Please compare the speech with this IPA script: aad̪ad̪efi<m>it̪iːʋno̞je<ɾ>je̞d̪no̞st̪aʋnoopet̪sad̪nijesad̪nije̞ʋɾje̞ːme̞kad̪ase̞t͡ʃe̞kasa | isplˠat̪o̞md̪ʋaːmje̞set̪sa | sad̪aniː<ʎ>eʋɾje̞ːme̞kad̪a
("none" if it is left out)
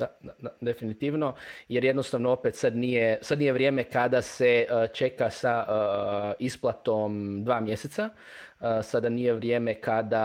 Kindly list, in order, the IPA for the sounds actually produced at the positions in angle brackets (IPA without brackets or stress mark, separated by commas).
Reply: n, ɾ, j